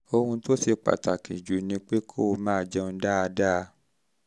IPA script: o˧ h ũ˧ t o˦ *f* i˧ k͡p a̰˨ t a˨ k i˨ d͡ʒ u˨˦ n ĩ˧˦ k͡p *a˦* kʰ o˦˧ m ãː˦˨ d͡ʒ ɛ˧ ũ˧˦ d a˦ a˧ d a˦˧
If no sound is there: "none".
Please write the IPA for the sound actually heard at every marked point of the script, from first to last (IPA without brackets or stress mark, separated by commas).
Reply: s, e˦